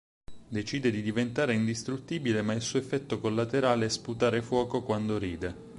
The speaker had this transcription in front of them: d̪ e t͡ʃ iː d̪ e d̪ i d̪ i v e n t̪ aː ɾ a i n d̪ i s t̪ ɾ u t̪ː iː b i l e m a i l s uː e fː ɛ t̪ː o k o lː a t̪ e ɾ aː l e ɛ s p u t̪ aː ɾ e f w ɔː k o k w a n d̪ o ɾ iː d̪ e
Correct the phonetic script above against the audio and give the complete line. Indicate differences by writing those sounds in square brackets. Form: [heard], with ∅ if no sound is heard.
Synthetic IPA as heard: d̪ e t͡ʃ iː d̪ e d̪ i d̪ i v e n t̪ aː ɾ [e] i n d̪ i s t̪ ɾ u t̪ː iː b i l e m a i l s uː e fː ɛ t̪ː o k o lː a t̪ e ɾ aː l e ɛ s p u t̪ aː ɾ e f w ɔː k o k w a n d̪ o ɾ iː d̪ e